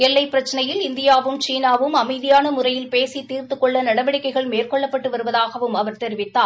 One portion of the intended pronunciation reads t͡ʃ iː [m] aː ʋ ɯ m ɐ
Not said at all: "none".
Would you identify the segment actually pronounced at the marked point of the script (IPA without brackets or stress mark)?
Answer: n